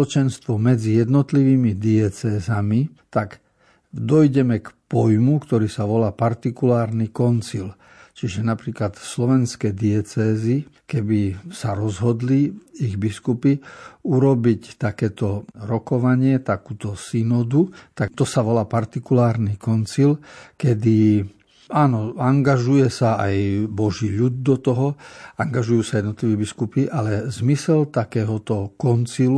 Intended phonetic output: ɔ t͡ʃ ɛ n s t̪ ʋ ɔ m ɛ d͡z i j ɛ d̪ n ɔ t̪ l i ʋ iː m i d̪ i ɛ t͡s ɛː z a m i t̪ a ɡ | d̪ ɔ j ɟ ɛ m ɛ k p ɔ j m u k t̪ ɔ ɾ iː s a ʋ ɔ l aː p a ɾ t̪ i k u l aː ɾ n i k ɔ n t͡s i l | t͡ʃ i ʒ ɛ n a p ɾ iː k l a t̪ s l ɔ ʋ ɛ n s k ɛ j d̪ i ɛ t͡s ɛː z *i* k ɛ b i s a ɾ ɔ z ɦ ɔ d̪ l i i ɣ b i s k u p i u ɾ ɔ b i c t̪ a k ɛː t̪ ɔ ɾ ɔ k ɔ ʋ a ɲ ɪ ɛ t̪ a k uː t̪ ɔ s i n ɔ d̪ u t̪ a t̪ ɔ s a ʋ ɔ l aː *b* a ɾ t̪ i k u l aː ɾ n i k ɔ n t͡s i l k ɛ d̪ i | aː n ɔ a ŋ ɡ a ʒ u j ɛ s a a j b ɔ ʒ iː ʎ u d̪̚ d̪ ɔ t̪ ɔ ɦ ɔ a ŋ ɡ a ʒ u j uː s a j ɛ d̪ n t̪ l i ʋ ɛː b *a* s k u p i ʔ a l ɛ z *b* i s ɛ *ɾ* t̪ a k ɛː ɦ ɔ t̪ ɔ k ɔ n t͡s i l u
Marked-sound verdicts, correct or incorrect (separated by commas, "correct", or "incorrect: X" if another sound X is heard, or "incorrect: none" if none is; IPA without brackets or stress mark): correct, incorrect: p, incorrect: i, incorrect: m, incorrect: l